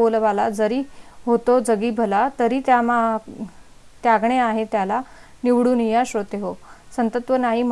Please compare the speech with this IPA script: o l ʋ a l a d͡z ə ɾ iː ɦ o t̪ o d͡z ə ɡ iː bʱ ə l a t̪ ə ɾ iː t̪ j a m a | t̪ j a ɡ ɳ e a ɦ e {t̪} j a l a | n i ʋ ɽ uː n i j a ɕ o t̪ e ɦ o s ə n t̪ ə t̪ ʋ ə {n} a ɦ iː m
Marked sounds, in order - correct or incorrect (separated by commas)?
correct, correct